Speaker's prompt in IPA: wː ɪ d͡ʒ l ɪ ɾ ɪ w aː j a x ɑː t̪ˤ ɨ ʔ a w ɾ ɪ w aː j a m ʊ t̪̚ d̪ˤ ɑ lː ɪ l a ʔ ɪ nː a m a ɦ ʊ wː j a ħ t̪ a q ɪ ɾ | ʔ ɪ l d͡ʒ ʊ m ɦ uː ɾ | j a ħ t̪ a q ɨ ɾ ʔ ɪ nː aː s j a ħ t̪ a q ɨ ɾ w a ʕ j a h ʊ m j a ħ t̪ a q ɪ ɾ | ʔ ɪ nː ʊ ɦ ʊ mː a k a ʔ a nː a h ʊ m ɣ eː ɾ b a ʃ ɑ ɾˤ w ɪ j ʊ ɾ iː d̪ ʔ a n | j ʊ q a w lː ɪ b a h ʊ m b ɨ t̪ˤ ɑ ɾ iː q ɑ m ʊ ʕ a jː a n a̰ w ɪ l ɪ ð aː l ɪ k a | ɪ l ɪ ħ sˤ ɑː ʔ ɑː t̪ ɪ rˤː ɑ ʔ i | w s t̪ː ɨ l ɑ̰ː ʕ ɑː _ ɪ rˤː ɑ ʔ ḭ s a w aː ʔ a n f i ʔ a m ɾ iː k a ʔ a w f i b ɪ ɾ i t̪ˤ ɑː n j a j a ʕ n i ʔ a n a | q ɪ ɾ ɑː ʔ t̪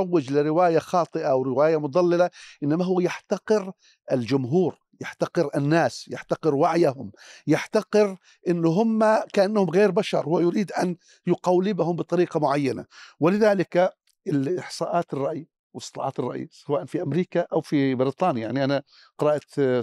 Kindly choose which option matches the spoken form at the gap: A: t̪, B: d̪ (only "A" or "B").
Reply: A